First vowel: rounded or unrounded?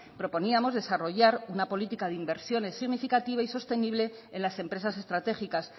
rounded